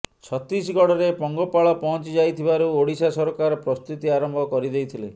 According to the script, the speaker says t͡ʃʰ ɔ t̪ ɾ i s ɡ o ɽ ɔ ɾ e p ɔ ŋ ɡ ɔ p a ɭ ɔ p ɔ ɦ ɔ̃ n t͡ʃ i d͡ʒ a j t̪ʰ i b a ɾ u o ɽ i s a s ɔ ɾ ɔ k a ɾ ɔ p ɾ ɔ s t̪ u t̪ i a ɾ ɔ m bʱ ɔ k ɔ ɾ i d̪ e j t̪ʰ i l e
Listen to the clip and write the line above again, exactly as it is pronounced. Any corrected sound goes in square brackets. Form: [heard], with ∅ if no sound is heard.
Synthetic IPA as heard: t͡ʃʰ ɔ t̪ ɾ i s ɡ [ɔ] ɽ ɔ ɾ e p ɔ ŋ ɡ ɔ p a ɭ ɔ p ɔ ɦ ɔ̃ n t͡ʃ i d͡ʒ a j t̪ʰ i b a ɾ u o ɽ i s a s ɔ ɾ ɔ k a ɾ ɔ p ɾ ɔ s t̪ u t̪ i a ɾ ɔ m bʱ ɔ k ɔ ɾ i d̪ e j t̪ʰ i l e